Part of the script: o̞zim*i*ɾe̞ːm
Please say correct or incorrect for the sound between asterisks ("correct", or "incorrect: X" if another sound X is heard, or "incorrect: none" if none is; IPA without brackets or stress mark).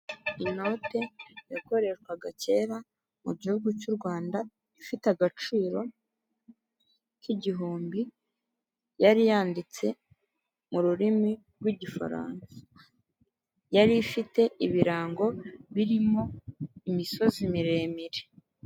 correct